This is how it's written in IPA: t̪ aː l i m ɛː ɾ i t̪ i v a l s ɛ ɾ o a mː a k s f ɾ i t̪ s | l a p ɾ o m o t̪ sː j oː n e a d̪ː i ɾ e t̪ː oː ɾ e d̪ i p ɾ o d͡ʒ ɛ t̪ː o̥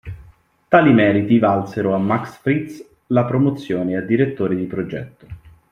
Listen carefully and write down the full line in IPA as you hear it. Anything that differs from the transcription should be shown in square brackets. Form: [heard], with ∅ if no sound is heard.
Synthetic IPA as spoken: t̪ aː l i m ɛː ɾ i t̪ i v a l s [e] ɾ o a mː a k s f ɾ i t̪ s | l a p ɾ o m o t̪ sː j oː n e a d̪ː i ɾ e t̪ː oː ɾ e d̪ i p ɾ o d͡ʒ ɛ t̪ː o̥